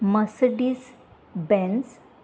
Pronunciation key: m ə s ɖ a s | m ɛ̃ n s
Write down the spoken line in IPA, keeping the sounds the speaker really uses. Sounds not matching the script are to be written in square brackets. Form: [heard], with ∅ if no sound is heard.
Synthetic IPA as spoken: m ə s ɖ [i] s | [b] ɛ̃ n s

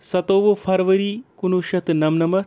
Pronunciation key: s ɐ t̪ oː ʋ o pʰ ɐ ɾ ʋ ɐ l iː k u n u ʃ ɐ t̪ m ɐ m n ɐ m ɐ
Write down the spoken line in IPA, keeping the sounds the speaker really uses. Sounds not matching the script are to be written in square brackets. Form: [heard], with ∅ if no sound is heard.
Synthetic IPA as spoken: s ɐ t̪ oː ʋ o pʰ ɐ ɾ ʋ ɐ [ɾ] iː k u n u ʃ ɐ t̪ [n] ɐ m n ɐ m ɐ

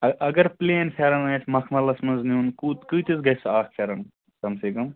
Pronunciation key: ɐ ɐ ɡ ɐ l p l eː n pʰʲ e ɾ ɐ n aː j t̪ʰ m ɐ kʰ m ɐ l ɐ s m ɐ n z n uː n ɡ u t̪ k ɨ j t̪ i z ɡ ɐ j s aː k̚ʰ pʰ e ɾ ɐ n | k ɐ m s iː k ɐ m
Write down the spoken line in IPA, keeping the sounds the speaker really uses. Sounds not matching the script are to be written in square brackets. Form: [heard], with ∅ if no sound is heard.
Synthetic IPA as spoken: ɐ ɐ ɡ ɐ [ɾ] p l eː n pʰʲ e ɾ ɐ n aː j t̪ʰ m ɐ kʰ m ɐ l ɐ s m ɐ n z n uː n [k] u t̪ k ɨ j t̪ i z ɡ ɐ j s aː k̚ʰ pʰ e ɾ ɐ n | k ɐ m s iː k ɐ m

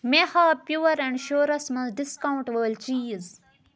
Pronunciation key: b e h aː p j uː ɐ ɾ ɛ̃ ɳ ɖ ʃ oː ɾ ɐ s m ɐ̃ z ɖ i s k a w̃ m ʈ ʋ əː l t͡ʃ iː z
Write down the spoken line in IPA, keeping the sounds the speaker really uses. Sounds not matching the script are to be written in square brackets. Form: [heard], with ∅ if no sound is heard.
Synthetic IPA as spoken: [m] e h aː p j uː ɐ ɾ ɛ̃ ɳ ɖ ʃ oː ɾ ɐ s m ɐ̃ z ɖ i s k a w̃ [ɳ] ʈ ʋ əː l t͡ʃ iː z

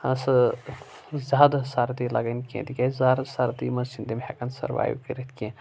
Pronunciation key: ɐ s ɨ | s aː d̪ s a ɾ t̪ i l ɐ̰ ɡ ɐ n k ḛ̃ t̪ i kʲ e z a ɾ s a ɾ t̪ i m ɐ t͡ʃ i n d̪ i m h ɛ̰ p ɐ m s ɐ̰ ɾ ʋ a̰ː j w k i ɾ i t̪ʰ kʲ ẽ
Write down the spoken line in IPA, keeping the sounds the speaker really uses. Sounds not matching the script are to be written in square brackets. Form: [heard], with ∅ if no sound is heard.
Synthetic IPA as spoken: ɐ s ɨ | [z] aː d̪ s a ɾ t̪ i l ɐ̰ ɡ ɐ n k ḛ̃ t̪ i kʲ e z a ɾ s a ɾ t̪ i m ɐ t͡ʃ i n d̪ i m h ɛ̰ [k] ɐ [n] s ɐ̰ ɾ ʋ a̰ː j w k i ɾ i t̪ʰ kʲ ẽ

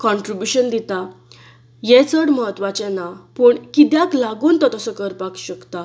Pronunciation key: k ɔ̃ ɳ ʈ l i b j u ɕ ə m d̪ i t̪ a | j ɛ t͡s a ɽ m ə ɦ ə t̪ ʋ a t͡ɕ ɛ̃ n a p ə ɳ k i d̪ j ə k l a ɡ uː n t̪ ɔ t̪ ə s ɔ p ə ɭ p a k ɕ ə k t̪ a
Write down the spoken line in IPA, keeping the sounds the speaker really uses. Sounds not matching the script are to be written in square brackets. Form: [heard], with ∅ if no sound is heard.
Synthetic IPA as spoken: k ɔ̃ ɳ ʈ [ɾ] i b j u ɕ ə [n] d̪ i t̪ a | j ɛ t͡s [ə] ɽ m ə ɦ ə t̪ ʋ a t͡ɕ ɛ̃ n a p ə ɳ k i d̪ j [a] k l a ɡ uː n t̪ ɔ t̪ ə s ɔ [k] ə [ɾ] p a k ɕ ə k t̪ a

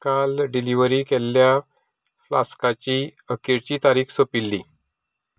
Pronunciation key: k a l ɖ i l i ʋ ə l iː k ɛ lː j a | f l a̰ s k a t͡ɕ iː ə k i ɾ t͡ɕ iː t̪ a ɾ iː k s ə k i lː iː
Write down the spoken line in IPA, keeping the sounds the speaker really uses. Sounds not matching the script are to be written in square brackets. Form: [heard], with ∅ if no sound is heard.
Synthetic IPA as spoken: k a l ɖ i l i ʋ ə [ɾ] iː k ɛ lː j a | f l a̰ s k a t͡ɕ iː ə k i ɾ t͡ɕ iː t̪ a ɾ iː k s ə [p] i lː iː

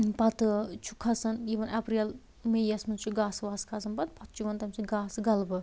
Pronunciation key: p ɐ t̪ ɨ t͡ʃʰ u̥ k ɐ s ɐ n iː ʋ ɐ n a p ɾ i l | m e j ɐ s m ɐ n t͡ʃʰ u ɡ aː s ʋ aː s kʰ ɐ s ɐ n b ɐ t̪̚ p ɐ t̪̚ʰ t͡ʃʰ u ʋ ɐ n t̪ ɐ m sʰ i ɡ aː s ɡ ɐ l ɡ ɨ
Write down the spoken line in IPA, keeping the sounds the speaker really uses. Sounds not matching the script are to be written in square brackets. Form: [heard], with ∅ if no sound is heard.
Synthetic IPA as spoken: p ɐ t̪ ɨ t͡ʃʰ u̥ [kʰ] ɐ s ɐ n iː ʋ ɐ n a p ɾ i l | m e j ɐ s m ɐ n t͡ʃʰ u ɡ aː s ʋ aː s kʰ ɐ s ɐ n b ɐ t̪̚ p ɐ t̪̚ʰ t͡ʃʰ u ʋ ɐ n t̪ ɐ m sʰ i ɡ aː s ɡ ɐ l [b] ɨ

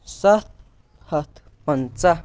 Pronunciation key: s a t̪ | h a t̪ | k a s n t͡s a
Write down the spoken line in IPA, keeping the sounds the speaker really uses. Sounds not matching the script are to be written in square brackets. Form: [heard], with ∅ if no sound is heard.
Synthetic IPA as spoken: s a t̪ | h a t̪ | [p] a [∅] n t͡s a

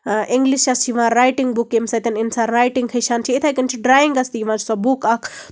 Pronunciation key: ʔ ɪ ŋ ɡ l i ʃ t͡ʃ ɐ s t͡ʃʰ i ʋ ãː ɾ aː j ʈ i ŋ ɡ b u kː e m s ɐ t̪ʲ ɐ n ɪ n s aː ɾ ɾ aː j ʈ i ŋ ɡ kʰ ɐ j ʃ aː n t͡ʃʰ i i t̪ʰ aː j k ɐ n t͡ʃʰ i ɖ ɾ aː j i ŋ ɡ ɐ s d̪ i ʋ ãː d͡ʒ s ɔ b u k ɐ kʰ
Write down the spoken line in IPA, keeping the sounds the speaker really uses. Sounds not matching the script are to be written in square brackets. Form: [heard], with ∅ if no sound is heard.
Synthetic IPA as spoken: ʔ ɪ ŋ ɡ l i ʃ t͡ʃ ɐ s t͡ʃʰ i ʋ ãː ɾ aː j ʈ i ŋ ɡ b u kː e m s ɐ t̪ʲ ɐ n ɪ n s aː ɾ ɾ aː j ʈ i ŋ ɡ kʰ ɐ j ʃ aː n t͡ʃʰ i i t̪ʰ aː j k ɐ n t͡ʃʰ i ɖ ɾ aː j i ŋ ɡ ɐ s [t̪] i ʋ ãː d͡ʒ s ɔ b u k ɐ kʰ

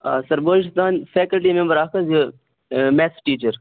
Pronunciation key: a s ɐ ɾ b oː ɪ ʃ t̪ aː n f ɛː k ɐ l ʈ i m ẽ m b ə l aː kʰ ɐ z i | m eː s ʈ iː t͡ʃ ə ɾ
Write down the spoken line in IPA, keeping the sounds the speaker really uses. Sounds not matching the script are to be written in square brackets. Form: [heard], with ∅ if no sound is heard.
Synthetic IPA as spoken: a s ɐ ɾ b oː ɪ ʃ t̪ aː n f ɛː k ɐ l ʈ i m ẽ m b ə [ɾ] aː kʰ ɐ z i | m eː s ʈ iː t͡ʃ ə ɾ

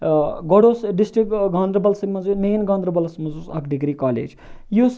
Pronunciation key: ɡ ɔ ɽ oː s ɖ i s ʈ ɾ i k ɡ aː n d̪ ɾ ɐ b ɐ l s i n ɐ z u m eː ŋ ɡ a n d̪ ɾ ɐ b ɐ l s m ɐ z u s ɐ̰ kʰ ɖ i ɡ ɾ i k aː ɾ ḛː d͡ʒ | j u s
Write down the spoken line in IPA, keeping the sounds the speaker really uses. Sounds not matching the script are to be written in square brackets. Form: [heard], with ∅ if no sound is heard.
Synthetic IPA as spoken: ɡ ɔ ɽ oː s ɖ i s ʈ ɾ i k ɡ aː n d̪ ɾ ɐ b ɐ l s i [m] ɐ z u m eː [n] ɡ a n d̪ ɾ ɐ b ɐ l s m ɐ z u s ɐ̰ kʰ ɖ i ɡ ɾ i k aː [l] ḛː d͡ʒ | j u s

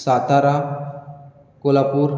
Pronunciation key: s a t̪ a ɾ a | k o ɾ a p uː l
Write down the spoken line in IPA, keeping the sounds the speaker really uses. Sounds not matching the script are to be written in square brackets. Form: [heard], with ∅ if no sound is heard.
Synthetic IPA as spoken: s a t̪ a ɾ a | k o [l] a p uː [ɾ]

